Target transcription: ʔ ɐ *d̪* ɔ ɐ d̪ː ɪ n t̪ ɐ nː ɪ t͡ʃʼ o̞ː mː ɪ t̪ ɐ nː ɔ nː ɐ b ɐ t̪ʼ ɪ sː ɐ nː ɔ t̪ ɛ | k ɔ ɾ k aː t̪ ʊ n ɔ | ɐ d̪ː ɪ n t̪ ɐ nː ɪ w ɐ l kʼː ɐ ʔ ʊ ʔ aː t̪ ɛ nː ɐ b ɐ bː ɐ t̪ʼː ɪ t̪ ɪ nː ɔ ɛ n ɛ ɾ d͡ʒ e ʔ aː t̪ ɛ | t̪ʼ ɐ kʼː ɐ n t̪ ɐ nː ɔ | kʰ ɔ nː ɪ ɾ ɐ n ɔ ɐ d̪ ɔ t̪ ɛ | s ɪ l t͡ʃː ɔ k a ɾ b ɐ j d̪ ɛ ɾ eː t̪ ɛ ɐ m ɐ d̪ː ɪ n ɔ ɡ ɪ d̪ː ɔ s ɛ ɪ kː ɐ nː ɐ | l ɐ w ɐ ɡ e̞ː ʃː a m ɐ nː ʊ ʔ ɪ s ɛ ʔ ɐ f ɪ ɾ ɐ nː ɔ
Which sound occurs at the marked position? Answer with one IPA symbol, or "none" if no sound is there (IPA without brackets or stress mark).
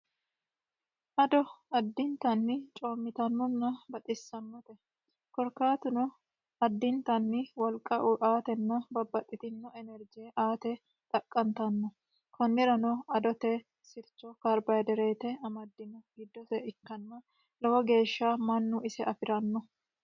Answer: d̪